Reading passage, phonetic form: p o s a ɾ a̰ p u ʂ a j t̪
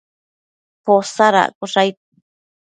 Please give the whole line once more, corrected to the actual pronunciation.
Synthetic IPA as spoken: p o s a ɾ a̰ k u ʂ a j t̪